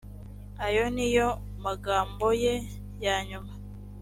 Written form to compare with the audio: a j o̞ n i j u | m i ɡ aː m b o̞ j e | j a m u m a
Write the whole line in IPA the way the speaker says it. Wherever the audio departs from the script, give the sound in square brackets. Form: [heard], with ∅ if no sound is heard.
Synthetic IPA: a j o̞ n i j [o] | m [a] ɡ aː m b o̞ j e | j a [ɲ] u m a